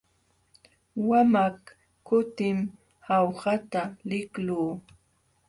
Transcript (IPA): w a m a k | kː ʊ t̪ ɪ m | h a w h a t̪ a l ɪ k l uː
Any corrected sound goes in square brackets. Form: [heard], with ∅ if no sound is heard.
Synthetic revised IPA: w a m a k | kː ʊ t̪ ɪ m | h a w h a t̪ a l ɪ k l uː

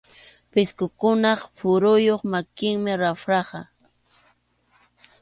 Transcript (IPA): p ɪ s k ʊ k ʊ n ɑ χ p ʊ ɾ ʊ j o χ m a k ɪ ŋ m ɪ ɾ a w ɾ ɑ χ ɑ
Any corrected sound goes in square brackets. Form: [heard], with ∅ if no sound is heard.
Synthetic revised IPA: p ɪ s k ʊ k ʊ n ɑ χ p ʊ ɾ ʊ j o χ m a k ɪ ŋ m ɪ ɾ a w ɾ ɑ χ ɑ

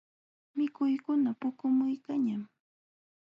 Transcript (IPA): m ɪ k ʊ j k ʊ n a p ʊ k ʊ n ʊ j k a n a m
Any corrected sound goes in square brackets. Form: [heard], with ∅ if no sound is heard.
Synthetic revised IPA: m ɪ k ʊ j k ʊ n a p ʊ k ʊ [m] ʊ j k a [ɲ] a m

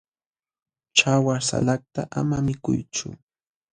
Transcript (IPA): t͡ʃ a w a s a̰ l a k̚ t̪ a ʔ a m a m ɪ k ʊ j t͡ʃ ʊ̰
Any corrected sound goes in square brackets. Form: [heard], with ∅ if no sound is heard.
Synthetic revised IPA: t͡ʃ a w a s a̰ l a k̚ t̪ a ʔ a m a m ɪ k ʊ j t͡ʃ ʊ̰

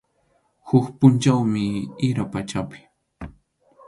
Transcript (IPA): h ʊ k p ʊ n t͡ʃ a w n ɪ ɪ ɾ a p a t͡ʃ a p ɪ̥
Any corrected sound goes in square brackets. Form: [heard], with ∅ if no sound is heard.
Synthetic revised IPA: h ʊ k p ʊ n t͡ʃ a w [m] ɪ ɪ ɾ a p a t͡ʃ a p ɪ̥

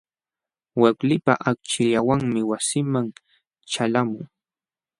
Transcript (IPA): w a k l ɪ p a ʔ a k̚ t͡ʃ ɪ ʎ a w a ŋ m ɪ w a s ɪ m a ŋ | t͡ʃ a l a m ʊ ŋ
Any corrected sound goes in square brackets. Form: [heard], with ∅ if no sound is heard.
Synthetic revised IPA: w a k l ɪ p a ʔ a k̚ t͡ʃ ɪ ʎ a w a ŋ m ɪ w a s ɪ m a ŋ | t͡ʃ a l a m ʊ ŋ

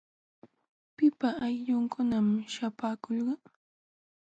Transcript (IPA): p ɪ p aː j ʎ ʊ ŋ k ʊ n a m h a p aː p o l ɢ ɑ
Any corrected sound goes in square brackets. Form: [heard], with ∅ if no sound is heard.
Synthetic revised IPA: p ɪ p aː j ʎ ʊ ŋ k ʊ n a m [ʃ] a p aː [k] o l ɢ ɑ

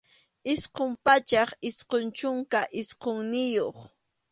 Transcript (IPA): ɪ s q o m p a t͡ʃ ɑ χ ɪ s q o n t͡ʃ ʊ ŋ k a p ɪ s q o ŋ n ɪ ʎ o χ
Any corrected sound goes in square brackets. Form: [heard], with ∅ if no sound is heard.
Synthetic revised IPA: ɪ s q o m p a t͡ʃ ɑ χ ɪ s q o n t͡ʃ ʊ ŋ k a [ʔ] ɪ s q o ŋ n ɪ [j] o χ

